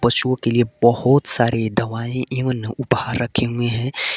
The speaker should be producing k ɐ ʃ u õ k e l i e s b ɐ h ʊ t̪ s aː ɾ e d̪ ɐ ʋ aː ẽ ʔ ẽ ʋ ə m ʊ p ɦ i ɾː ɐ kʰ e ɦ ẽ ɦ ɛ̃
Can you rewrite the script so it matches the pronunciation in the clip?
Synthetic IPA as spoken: p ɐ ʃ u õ k e l i e b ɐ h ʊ t̪ s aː ɾ e d̪ ɐ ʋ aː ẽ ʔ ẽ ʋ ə n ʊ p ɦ a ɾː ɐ kʰ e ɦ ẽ ɦ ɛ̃